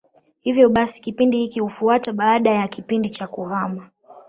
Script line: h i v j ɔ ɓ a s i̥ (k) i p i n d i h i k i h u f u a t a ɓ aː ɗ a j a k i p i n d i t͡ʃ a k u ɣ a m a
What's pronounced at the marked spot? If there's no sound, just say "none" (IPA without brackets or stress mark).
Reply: k